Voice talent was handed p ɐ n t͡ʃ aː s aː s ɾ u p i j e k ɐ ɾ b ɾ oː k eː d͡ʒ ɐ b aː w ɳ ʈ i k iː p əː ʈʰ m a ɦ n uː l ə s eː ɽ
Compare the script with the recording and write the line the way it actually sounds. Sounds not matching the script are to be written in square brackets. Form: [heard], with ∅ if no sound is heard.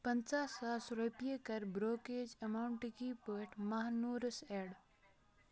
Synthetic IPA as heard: p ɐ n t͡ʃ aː s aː s ɾ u p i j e k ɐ ɾ b ɾ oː k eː d͡ʒ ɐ [m] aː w ɳ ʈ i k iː p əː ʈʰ m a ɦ n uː [ɾ] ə s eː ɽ